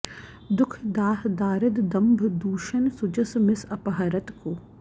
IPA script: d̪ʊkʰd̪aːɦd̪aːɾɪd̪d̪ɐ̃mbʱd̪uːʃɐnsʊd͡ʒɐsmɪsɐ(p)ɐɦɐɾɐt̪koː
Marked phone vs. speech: correct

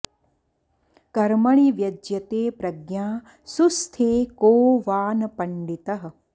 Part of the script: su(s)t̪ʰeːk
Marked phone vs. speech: correct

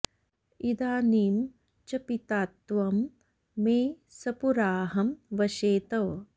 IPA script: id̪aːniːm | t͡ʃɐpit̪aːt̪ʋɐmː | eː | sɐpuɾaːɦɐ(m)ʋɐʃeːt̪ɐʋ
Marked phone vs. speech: correct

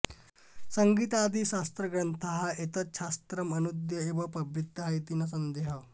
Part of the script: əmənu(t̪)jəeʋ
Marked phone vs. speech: incorrect: d̪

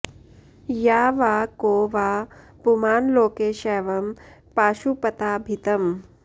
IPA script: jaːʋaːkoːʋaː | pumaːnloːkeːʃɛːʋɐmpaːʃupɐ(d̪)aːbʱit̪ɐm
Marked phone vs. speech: incorrect: t̪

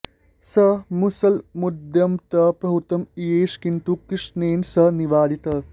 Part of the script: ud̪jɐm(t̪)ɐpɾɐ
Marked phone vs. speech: correct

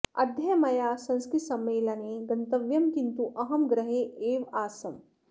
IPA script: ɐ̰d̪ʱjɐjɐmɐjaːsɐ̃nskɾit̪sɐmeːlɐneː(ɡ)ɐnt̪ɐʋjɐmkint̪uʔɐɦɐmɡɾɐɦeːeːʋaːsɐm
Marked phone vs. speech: correct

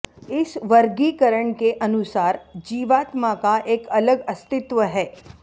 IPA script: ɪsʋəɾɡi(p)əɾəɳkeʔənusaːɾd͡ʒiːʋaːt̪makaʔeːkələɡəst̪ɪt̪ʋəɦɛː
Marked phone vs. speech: incorrect: k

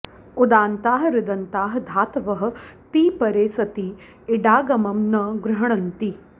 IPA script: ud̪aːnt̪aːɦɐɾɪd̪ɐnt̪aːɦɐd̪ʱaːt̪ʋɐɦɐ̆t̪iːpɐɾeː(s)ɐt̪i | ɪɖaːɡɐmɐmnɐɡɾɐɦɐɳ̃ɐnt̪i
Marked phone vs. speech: correct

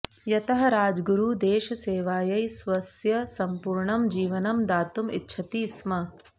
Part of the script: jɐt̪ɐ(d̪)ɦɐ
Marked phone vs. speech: incorrect: none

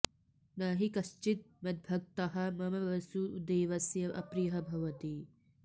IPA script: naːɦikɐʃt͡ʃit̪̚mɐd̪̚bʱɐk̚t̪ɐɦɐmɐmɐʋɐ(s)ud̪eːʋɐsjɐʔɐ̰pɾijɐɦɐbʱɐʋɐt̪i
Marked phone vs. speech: correct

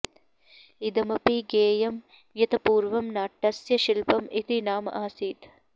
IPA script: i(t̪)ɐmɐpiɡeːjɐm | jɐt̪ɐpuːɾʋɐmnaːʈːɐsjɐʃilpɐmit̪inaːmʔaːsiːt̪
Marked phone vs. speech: incorrect: d̪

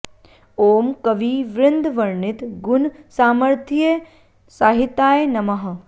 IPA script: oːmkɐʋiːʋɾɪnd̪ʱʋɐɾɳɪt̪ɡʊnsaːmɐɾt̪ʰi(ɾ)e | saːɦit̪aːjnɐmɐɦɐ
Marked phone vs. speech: incorrect: none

